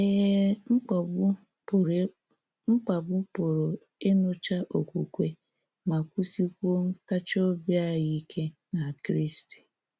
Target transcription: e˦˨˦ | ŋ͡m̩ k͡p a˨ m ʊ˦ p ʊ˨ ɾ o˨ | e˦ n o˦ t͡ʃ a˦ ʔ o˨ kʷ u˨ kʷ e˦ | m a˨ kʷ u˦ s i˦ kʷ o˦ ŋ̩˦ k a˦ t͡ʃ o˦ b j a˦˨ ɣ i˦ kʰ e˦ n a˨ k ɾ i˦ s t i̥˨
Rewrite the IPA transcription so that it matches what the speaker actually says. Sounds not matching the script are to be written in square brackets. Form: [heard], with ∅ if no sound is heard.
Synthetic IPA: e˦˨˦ | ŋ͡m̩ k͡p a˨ [b] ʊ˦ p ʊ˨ ɾ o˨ | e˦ n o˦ t͡ʃ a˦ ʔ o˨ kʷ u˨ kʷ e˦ | m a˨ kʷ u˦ s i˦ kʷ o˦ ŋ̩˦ k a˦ t͡ʃ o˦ b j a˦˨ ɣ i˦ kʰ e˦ n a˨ k ɾ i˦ s t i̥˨